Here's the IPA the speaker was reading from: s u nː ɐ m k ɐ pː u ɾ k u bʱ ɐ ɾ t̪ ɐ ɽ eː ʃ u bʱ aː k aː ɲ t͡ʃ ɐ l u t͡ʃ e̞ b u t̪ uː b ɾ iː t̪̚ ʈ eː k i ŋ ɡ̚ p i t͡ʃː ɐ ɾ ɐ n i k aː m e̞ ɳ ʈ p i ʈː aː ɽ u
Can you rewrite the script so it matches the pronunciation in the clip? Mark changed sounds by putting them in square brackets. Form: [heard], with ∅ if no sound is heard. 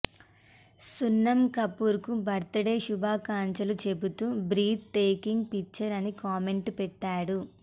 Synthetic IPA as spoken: s u nː ɐ m k ɐ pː u ɾ k u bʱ ɐ ɾ t̪ ɐ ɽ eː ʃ u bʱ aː k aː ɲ t͡ʃ ɐ l u t͡ʃ e̞ b u t̪ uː b ɾ iː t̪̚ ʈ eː k i ŋ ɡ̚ p i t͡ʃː ɐ ɾ ɐ n i k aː m e̞ ɳ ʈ p [ɛ] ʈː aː ɽ u